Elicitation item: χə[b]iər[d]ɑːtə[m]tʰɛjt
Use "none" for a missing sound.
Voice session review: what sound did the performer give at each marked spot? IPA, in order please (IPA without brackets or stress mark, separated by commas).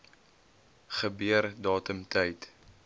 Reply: b, d, m